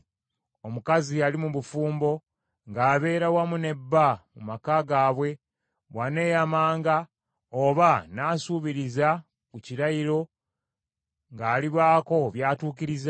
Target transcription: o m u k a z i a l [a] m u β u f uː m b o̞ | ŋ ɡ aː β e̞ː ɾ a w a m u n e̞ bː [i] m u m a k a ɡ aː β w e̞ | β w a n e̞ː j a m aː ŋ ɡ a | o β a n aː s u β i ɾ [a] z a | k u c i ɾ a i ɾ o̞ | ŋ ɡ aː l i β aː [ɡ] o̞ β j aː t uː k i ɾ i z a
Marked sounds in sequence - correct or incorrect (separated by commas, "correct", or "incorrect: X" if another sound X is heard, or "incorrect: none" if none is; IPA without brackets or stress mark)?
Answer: incorrect: i, incorrect: a, incorrect: i, incorrect: k